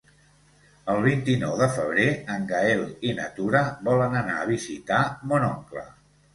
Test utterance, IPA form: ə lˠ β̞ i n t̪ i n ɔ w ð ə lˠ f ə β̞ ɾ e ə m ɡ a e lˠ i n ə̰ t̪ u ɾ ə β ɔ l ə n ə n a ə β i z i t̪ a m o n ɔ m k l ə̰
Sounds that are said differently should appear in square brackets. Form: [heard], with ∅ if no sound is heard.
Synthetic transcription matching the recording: ə lˠ β̞ i n t̪ i n ɔ w ð ə [∅] f ə β̞ ɾ e ə [ŋ] ɡ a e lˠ i n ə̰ t̪ u ɾ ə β ɔ l ə n ə n a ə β i z i t̪ a m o n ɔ [ŋ] k l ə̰